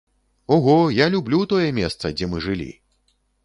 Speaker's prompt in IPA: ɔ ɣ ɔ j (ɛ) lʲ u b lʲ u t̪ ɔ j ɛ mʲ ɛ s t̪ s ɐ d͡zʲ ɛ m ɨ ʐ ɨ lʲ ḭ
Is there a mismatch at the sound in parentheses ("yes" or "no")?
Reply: yes